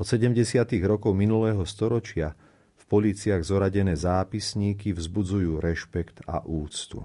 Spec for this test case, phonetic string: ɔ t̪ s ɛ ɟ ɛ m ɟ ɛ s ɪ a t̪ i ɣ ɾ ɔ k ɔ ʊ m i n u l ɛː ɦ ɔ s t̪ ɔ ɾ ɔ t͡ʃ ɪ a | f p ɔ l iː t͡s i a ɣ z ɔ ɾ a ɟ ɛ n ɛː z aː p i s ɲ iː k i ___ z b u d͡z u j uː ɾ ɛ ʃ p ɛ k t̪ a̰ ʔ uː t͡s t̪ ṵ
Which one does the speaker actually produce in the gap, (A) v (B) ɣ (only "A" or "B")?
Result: A